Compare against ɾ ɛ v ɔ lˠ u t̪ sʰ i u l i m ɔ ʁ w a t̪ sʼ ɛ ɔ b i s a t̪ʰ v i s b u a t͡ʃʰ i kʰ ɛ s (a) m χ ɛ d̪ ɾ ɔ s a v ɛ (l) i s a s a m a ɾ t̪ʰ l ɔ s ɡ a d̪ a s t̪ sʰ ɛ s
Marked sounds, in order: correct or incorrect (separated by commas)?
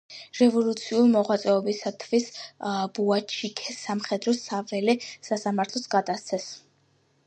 correct, correct